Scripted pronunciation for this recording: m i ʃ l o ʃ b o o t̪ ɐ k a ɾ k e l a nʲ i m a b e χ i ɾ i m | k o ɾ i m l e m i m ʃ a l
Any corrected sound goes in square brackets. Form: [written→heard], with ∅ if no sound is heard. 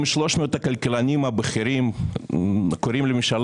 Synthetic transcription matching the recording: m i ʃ l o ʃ [b→m] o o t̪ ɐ k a [ɾ→l] k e l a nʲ i m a b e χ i ɾ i m | k o ɾ i m l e m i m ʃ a l